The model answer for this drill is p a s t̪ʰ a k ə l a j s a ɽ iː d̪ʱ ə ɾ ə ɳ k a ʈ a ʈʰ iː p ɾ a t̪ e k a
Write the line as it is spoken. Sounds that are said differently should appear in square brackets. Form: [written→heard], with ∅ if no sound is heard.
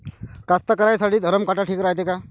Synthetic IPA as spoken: [p→k] a s [t̪ʰ→t̪] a k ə [l→ɾ] a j s a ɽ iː d̪ʱ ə ɾ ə [ɳ→m] k a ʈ a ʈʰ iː [p→k] ɾ a t̪ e k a